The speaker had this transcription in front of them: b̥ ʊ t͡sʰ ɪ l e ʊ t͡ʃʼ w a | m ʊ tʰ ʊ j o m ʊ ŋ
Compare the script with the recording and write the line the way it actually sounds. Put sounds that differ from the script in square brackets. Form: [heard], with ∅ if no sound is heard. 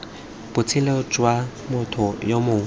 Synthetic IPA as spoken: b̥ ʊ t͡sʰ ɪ l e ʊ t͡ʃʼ w a | m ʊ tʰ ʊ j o m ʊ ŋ